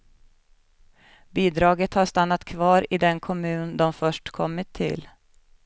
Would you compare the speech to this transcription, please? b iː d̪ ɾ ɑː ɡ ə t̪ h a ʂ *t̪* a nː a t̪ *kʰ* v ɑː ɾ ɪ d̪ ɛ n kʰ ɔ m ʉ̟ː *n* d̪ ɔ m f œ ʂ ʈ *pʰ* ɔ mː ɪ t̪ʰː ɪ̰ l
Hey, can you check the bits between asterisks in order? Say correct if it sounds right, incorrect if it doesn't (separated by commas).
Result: correct, correct, correct, incorrect